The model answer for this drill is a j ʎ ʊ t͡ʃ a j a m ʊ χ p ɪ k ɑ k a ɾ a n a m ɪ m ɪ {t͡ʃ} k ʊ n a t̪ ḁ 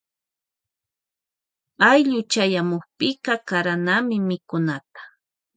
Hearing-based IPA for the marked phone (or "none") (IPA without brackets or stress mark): none